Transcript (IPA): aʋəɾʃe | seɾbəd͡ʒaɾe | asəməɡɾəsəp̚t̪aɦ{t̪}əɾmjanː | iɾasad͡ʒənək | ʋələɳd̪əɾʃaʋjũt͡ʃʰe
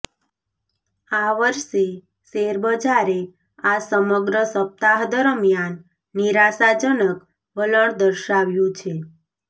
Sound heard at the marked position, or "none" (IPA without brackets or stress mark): d̪